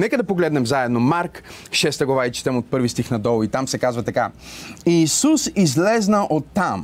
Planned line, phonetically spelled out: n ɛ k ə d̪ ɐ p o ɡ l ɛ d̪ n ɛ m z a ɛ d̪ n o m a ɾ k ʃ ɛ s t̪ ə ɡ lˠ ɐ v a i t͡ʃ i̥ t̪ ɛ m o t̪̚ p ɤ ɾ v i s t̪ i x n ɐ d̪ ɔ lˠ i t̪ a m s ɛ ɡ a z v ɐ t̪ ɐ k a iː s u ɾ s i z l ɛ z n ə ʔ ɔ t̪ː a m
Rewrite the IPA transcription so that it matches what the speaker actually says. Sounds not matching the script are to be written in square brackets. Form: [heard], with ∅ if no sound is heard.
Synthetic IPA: n ɛ k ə d̪ ɐ p o ɡ l ɛ d̪ n ɛ m z a ɛ d̪ n o m a ɾ k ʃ ɛ s t̪ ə ɡ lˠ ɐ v a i t͡ʃ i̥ t̪ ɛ m o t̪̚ p ɤ ɾ v i s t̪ i x n ɐ d̪ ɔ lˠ i t̪ a m s ɛ [k] a z v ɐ t̪ ɐ k a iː s u [∅] s i z l ɛ z n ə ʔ [o] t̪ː a m